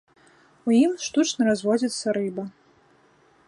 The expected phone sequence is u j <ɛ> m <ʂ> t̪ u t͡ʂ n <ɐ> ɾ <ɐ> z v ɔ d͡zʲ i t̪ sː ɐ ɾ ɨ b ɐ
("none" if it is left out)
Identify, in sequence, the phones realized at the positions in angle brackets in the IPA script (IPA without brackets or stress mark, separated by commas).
i, ʂ, ɐ, a